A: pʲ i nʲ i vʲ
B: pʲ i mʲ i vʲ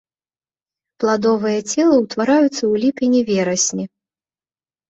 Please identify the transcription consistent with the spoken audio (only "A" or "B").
A